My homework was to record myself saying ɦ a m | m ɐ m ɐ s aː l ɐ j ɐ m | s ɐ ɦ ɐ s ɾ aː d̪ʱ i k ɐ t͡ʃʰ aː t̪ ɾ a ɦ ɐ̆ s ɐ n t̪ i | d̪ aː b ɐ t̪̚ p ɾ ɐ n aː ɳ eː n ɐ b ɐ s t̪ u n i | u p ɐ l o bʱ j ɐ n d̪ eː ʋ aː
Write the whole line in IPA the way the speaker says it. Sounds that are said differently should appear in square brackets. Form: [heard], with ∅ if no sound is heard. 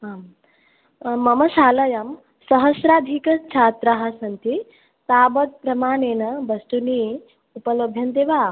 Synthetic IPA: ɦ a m | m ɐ m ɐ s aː l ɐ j ɐ m | s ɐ ɦ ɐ s ɾ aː d̪ʱ i k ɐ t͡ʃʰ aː t̪ ɾ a ɦ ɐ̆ s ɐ n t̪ i | [t̪] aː b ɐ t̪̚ p ɾ ɐ [m] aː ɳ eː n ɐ b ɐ s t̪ u n i | u p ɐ l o bʱ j ɐ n d̪ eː ʋ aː